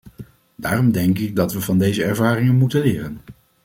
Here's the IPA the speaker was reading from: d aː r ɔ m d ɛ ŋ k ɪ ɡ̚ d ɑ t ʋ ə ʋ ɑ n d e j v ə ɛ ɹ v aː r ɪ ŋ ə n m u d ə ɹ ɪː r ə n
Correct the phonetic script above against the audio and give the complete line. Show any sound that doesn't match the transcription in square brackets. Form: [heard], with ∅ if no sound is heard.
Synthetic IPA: d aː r ɔ m d ɛ ŋ k ɪ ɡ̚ d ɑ t ʋ ə [v] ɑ n d e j [z] ə ɛ ɹ v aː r ɪ ŋ ə n m u [t] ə [l] ɪː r ə n